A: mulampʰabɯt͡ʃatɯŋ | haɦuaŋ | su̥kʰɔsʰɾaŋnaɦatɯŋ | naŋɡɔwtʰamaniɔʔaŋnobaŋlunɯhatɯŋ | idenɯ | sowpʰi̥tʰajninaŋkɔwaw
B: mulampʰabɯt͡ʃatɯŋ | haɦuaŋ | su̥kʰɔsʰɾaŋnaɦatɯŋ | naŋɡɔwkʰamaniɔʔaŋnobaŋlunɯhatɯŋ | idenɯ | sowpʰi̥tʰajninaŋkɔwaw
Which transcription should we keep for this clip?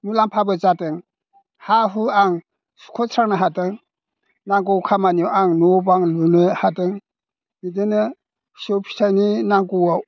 B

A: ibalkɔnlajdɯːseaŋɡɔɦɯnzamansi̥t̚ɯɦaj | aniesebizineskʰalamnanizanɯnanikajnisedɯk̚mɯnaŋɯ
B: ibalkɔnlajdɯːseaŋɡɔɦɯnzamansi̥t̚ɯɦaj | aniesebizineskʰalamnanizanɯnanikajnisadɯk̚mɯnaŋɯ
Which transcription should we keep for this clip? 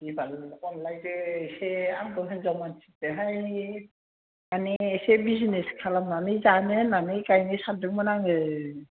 B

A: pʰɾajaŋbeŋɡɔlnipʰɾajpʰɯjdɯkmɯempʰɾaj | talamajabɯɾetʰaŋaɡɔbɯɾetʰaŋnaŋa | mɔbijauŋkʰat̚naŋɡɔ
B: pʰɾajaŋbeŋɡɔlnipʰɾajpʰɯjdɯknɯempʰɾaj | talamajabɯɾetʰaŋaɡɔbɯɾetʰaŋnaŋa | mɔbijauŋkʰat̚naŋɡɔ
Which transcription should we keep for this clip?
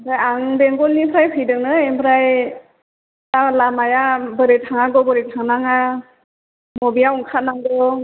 B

